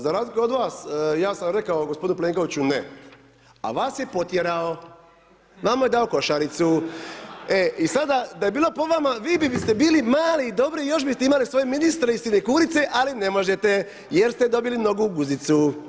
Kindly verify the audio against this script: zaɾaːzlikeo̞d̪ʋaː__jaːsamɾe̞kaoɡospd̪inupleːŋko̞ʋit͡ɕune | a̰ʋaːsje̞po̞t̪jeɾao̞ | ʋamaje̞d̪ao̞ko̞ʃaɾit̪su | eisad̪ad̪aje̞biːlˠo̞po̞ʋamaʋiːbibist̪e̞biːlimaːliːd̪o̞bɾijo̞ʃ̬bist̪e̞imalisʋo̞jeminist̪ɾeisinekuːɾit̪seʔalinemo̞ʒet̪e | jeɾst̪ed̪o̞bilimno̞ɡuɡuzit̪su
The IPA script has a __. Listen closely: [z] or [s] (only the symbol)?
s